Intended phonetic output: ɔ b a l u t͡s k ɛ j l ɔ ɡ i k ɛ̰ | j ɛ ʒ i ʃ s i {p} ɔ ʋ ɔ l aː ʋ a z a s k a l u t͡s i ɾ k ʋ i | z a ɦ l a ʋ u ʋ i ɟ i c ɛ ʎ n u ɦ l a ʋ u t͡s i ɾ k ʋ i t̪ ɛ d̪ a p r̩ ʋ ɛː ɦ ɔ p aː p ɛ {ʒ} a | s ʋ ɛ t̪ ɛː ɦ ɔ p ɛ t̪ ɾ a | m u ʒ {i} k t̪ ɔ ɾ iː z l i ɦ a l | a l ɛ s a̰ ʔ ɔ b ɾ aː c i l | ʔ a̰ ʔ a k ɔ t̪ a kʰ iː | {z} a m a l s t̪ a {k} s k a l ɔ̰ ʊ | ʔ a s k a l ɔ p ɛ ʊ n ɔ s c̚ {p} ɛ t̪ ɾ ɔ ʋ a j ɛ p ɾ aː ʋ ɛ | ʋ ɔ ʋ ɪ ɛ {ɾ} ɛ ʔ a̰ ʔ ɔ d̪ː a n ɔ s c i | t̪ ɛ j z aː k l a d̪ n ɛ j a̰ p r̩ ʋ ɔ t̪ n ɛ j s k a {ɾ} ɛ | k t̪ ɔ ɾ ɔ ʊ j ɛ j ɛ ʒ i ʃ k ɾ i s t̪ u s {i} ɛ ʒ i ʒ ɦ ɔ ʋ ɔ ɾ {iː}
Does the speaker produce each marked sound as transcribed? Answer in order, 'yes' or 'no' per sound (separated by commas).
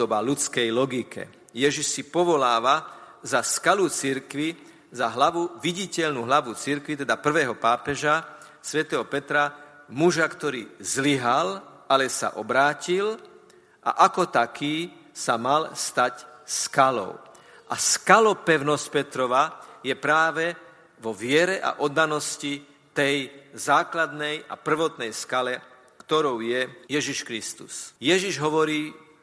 yes, yes, no, no, no, yes, yes, no, no, yes